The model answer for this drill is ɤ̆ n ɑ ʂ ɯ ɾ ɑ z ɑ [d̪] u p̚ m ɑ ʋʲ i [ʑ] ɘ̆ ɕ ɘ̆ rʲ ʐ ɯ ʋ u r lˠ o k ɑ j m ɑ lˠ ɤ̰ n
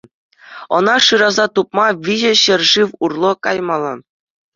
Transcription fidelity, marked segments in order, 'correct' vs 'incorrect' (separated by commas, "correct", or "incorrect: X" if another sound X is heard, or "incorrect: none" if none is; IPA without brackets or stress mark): incorrect: t̪, correct